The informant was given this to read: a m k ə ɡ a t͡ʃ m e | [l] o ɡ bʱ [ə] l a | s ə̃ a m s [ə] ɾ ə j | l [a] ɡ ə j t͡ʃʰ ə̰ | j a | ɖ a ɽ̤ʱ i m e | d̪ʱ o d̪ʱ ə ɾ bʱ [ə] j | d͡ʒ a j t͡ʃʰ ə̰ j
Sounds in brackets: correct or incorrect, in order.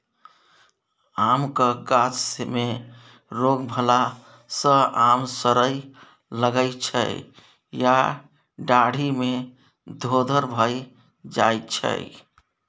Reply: incorrect, correct, correct, incorrect, correct

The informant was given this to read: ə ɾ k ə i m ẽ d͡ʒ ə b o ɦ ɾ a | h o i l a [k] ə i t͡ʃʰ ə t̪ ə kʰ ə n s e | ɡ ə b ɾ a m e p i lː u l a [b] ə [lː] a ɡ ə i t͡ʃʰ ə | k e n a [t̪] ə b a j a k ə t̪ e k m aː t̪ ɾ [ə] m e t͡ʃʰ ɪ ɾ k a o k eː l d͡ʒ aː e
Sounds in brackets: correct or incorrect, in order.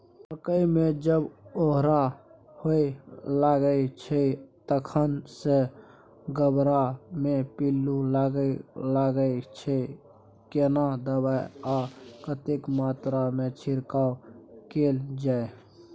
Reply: incorrect, incorrect, incorrect, incorrect, incorrect

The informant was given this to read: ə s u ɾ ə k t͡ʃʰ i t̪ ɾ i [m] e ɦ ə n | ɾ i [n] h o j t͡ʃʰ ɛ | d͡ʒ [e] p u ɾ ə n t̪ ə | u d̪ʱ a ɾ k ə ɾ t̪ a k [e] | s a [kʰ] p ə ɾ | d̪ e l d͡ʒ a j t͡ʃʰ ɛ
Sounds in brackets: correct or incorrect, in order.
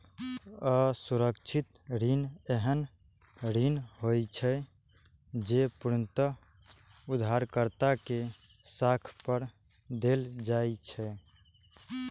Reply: incorrect, correct, correct, correct, correct

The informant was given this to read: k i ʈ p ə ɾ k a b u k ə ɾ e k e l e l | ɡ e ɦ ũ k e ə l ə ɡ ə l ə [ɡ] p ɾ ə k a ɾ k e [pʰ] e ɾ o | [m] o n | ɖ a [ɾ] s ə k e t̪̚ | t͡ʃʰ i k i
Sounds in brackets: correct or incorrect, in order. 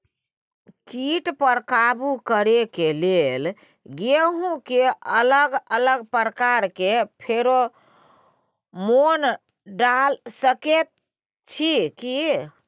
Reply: correct, correct, correct, incorrect

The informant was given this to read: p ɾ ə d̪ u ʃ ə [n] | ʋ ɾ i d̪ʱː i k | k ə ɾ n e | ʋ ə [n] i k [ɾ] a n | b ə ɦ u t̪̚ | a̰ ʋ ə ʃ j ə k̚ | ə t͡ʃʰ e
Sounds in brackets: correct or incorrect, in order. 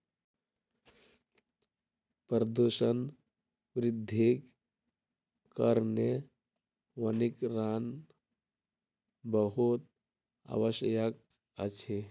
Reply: correct, correct, correct

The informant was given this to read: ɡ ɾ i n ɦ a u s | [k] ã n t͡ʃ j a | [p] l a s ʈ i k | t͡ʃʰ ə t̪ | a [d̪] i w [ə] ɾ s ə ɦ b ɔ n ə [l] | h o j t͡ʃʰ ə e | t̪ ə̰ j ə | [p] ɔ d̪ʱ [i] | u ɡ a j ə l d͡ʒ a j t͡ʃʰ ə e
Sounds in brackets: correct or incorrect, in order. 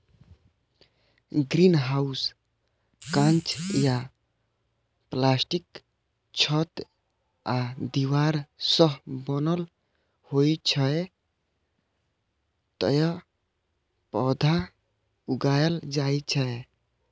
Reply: correct, correct, correct, incorrect, correct, correct, incorrect

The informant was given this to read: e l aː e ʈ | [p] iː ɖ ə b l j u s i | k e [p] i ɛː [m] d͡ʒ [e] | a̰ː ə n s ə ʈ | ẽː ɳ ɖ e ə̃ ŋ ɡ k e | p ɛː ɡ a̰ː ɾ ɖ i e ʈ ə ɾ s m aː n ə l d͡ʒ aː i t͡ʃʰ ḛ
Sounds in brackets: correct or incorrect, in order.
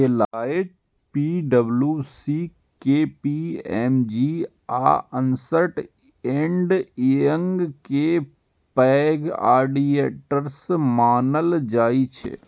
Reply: correct, correct, correct, incorrect

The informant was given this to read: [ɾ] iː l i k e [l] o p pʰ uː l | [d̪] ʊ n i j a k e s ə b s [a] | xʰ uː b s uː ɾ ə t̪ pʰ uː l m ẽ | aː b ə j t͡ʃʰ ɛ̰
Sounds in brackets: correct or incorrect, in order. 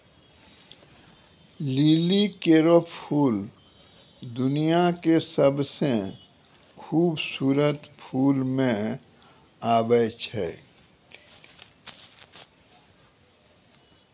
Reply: incorrect, incorrect, correct, incorrect

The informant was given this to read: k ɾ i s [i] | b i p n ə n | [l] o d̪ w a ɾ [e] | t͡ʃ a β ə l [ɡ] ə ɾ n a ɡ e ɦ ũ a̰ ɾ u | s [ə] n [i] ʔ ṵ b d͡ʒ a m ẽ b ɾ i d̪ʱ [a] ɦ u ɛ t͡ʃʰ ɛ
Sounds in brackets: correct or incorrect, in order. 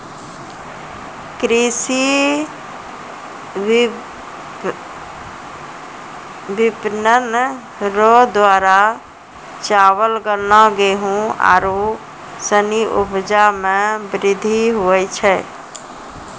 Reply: correct, incorrect, incorrect, correct, correct, correct, incorrect

